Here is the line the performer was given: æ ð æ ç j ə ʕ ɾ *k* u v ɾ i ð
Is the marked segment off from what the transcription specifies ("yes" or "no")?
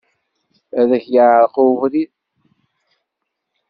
yes